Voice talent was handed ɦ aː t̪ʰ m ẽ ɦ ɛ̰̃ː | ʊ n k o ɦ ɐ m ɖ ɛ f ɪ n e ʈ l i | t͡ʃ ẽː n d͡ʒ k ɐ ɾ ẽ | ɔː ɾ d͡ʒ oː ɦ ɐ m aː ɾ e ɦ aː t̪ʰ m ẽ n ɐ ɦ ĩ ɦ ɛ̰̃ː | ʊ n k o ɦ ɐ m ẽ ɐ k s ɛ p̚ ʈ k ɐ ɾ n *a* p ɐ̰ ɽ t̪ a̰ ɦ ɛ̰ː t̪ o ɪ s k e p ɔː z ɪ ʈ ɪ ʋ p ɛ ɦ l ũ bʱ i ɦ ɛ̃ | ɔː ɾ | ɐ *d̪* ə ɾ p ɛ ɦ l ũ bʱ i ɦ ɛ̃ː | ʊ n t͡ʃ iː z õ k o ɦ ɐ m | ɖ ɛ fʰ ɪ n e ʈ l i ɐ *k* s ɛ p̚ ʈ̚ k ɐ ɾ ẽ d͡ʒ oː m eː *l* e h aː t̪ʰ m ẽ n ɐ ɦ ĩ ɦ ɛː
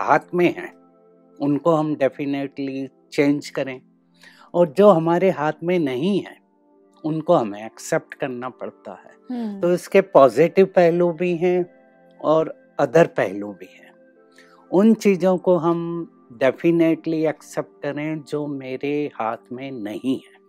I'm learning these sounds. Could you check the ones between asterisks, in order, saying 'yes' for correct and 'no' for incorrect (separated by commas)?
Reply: yes, yes, yes, no